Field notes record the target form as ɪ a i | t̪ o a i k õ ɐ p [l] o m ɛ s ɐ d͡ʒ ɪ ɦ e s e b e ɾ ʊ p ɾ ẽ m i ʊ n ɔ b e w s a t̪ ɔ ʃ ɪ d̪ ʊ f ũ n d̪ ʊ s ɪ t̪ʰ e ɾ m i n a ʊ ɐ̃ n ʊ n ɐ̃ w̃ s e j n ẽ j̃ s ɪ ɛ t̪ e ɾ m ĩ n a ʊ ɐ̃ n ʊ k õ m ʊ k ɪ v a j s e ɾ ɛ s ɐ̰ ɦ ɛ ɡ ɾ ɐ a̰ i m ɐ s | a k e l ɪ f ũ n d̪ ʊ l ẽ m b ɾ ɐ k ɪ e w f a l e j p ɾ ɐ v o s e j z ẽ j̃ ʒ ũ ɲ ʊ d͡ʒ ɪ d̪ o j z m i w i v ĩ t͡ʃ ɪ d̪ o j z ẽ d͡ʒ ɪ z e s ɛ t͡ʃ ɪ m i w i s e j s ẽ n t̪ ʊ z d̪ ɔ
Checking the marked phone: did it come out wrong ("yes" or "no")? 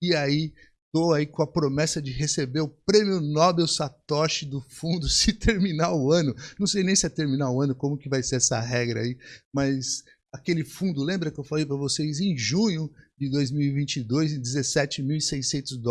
yes